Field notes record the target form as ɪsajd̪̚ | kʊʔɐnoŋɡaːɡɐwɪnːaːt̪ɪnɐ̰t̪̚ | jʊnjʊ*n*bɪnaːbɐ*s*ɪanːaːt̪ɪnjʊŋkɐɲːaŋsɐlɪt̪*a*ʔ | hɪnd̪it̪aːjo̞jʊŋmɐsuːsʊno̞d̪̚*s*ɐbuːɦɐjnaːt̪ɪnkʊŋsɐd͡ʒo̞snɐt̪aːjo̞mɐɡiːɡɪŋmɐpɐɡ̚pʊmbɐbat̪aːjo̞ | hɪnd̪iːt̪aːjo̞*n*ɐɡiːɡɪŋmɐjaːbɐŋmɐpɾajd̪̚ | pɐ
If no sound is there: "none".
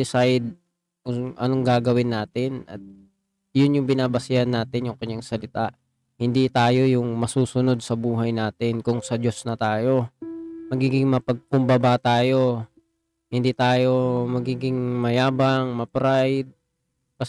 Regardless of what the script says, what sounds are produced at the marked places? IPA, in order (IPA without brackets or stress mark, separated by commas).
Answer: ŋ, s, a, s, m